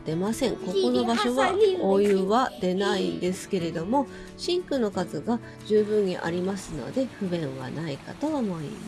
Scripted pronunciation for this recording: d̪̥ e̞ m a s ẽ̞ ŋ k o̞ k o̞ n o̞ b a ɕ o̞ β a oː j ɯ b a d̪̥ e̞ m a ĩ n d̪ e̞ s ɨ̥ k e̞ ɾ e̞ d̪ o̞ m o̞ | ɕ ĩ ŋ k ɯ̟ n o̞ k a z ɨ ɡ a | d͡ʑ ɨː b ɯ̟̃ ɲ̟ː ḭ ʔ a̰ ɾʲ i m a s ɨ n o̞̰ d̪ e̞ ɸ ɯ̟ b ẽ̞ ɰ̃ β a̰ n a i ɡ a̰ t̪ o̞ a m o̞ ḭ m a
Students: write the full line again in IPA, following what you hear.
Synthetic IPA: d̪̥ e̞ m a s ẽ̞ ŋ k o̞ k o̞ n o̞ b a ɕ o̞ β a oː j ɯ β a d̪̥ e̞ n a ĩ n d̪ e̞ s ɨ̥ k e̞ ɾ e̞ d̪ o̞ m o̞ | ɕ ĩ ŋ k ɯ̟ n o̞ k a z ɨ ɡ a | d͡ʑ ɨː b ɯ̟̃ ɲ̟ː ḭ ʔ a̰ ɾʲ i m a s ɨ n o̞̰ d̪ e̞ ɸ ɯ̟ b ẽ̞ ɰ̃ β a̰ n a i k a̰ t̪ o̞ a m o̞ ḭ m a